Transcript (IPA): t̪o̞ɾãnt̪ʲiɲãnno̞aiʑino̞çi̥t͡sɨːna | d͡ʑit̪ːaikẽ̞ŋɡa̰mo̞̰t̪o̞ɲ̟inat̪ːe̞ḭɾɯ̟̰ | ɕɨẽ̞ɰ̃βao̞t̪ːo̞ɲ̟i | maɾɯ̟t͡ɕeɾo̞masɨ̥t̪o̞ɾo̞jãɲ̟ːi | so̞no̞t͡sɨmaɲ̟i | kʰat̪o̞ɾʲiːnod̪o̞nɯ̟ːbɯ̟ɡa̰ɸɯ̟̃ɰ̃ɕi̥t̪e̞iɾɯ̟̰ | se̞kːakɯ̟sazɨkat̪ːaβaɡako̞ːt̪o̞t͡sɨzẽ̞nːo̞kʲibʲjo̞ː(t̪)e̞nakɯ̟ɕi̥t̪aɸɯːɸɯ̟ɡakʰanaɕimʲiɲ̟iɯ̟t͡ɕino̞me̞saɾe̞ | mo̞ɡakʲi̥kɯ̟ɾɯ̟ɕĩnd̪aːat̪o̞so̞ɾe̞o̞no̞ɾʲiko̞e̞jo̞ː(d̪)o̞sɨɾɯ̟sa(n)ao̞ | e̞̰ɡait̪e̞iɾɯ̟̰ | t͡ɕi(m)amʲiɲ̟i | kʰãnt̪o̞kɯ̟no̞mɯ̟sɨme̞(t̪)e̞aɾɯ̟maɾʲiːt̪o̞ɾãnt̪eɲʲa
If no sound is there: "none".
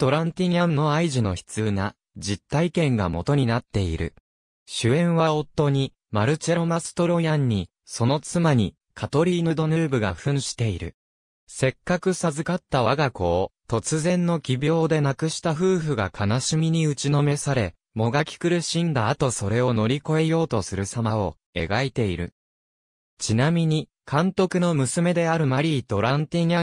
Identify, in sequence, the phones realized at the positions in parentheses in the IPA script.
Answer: d̪, t̪, m, n, d̪

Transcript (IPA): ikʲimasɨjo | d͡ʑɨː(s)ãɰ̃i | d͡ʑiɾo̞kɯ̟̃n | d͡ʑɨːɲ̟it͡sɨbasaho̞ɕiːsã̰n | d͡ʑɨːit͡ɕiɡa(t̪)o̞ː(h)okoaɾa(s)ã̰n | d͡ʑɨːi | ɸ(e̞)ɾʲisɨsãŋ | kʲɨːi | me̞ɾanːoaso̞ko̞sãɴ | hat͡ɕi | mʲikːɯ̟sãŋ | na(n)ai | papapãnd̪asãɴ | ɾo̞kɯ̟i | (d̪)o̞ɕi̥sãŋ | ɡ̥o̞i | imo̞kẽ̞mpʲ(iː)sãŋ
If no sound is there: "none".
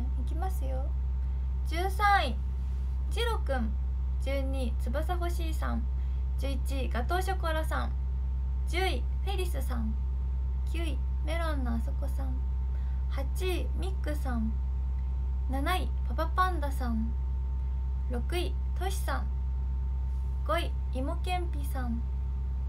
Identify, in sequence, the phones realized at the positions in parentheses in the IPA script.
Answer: s, t̪, ɕ, s, e̞, n, t̪, i

